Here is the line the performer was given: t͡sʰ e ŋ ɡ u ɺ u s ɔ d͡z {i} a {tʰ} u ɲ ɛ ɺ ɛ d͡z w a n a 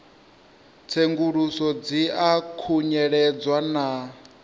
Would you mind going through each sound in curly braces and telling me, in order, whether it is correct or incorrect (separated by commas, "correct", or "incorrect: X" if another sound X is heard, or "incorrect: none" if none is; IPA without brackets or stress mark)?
correct, incorrect: kʰ